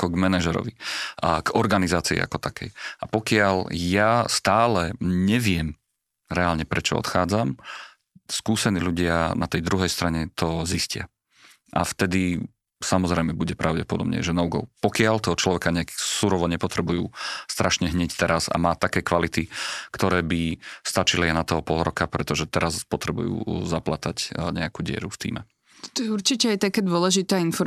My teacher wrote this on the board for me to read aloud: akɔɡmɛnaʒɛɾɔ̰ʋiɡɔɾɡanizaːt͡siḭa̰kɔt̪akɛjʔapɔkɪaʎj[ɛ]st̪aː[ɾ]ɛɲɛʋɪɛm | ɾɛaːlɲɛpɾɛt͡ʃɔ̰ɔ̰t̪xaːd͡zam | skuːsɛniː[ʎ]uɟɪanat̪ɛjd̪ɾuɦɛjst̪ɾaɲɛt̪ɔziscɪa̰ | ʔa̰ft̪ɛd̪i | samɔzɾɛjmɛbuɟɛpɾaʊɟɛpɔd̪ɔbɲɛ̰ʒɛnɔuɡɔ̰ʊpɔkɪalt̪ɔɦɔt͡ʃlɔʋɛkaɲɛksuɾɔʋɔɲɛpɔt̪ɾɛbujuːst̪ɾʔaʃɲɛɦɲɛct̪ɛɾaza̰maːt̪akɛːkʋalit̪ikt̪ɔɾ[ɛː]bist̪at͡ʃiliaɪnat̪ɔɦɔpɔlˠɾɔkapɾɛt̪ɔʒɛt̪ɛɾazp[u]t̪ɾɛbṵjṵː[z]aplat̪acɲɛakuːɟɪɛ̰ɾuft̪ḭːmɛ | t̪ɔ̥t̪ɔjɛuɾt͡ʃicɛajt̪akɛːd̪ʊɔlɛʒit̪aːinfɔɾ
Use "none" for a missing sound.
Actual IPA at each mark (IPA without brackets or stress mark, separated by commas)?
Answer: a, l, l, ɛː, ɔ, z